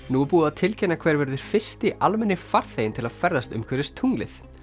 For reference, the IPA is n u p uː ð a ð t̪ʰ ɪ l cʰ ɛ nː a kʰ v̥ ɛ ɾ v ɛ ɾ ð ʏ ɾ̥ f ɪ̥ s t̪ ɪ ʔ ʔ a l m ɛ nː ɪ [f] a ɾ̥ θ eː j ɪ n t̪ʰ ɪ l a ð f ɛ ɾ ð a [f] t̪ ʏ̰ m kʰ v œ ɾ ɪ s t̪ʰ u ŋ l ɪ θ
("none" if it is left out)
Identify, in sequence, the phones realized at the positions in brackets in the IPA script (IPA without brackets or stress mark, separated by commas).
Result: f, s